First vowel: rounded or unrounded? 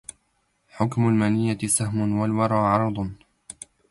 rounded